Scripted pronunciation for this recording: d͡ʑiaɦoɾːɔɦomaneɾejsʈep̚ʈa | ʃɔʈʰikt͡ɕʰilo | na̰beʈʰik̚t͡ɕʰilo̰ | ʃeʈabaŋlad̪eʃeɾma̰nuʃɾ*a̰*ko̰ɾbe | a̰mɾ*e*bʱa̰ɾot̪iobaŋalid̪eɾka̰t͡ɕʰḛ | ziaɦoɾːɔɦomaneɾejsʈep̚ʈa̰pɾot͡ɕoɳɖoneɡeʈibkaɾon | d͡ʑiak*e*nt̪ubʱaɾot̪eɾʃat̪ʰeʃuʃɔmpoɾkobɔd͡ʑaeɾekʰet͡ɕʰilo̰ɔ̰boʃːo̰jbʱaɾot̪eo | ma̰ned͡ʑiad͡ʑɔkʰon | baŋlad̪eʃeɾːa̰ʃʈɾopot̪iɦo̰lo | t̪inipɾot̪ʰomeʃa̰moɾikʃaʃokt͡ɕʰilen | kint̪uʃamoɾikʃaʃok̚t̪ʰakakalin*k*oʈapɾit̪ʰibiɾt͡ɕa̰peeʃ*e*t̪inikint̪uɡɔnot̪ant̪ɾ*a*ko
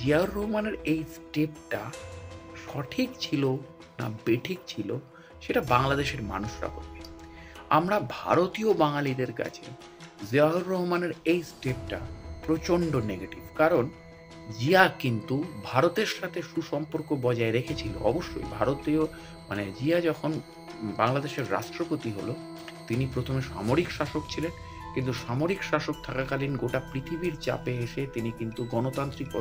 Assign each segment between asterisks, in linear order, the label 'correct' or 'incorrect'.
correct, incorrect, incorrect, incorrect, correct, incorrect

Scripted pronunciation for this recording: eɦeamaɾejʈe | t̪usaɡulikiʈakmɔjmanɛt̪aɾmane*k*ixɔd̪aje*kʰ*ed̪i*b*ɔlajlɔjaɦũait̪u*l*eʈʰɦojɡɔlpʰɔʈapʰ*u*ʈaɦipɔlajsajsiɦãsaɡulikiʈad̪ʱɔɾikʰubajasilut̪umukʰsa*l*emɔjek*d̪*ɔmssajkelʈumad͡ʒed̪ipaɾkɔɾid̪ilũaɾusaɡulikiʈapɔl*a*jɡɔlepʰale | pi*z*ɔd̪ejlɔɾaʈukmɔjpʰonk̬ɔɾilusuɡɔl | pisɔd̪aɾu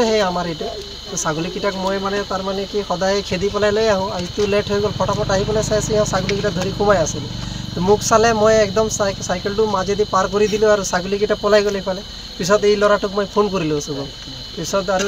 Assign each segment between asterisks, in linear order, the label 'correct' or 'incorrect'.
correct, correct, incorrect, correct, incorrect, correct, correct, correct, incorrect

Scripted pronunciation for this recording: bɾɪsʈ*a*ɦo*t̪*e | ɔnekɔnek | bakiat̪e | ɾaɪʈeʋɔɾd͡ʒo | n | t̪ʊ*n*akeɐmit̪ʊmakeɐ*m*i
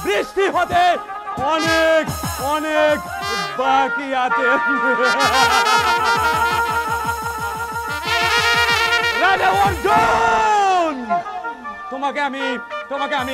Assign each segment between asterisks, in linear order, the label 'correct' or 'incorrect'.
incorrect, correct, incorrect, correct

